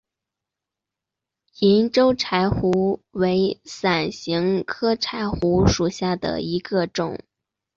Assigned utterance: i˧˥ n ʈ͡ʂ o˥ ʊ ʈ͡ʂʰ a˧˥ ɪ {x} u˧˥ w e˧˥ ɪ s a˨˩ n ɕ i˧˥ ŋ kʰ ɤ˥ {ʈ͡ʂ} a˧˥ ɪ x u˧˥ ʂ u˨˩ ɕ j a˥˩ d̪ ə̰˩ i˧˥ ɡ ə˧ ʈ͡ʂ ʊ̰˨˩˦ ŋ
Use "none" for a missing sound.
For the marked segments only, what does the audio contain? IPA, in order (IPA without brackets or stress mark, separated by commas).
x, ʈ͡ʂʰ